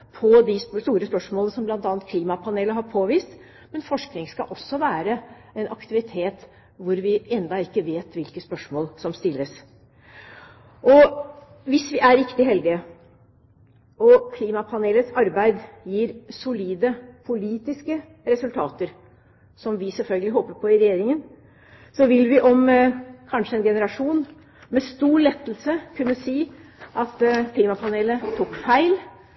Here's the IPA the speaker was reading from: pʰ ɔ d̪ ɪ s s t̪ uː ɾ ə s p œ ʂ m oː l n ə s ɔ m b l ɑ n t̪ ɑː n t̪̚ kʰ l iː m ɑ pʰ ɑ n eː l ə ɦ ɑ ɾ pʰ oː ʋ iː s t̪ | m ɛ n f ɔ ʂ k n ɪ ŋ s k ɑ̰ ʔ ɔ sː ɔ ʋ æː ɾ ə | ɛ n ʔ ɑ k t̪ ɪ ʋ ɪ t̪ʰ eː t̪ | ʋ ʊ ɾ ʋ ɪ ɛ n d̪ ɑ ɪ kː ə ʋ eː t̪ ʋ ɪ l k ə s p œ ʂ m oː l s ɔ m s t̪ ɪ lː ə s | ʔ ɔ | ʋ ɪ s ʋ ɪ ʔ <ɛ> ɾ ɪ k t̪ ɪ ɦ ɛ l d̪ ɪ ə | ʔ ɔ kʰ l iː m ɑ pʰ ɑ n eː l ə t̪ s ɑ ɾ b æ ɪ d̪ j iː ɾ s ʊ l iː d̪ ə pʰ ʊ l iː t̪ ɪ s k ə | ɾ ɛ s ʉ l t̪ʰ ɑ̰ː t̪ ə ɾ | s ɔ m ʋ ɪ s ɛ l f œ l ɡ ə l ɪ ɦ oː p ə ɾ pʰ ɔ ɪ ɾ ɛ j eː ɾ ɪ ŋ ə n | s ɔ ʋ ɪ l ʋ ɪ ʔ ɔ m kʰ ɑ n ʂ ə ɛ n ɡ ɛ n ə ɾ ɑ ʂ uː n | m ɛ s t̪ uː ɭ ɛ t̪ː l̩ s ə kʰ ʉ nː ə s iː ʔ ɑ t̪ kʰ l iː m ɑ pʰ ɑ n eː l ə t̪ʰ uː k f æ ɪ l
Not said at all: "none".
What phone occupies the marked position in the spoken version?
æ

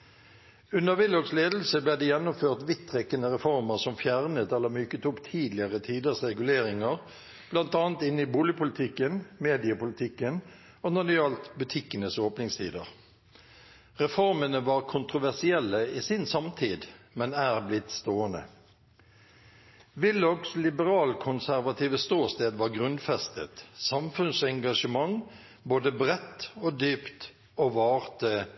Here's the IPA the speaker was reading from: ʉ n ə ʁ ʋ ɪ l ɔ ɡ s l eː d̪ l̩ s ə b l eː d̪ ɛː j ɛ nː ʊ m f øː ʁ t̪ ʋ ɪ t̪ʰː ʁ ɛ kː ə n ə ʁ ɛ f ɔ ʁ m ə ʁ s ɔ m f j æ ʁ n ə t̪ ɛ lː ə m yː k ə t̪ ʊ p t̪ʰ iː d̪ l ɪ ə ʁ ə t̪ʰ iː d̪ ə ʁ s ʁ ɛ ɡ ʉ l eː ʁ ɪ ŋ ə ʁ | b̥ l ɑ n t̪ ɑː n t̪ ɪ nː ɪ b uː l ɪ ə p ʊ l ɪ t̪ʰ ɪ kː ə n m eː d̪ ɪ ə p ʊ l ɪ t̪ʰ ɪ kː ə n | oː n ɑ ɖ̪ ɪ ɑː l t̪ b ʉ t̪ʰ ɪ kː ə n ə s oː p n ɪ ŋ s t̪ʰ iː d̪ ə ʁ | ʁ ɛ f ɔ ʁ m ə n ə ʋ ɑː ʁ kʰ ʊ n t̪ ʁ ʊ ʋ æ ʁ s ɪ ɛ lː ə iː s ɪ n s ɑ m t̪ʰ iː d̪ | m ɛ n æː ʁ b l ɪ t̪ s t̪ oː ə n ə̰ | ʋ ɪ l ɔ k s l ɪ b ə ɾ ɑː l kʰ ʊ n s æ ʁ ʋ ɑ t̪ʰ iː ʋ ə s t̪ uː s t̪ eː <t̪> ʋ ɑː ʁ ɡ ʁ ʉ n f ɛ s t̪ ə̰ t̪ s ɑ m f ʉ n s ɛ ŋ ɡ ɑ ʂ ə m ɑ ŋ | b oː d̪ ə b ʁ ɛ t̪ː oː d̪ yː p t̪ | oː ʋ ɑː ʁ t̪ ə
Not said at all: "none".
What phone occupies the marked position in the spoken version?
d̪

